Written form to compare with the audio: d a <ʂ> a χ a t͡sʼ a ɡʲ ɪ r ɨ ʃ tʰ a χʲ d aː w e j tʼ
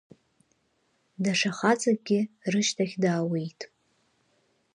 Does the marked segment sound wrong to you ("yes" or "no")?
no